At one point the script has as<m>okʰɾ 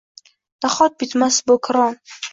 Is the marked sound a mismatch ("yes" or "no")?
yes